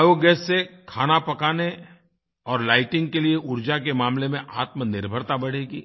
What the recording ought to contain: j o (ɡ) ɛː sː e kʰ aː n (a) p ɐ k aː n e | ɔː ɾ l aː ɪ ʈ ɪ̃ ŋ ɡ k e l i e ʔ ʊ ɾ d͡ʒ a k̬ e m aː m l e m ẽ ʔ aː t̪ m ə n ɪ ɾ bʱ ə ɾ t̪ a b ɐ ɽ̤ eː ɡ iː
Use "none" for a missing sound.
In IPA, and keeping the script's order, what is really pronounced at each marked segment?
ɡ, a

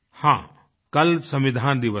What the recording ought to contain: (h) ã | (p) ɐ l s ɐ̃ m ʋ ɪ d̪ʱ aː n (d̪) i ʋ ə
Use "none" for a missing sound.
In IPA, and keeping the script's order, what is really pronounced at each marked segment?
h, k, d̪

